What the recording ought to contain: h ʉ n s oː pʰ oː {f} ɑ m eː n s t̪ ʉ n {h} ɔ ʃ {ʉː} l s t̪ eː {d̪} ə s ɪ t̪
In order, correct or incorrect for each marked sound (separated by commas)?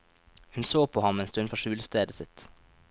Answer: incorrect, incorrect, correct, correct